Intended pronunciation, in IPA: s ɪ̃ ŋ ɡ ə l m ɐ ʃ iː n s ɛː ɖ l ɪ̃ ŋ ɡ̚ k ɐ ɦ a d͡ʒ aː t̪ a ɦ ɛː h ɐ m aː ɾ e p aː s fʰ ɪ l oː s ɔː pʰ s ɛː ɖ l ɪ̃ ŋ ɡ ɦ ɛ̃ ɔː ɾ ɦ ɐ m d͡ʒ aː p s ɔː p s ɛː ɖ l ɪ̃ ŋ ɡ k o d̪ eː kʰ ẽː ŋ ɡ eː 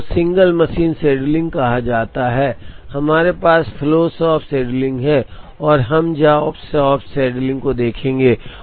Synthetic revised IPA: s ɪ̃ ŋ ɡ ə l m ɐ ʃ iː n s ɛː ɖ l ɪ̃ ŋ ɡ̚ k ɐ ɦ a d͡ʒ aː t̪ a ɦ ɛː h ɐ m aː ɾ e p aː s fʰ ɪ l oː s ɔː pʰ s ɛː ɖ l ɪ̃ ŋ ɡ ɦ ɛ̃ ɔː ɾ ɦ ɐ m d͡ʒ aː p s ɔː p s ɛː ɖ l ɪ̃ ŋ ɡ k o d̪ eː kʰ ẽː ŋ ɡ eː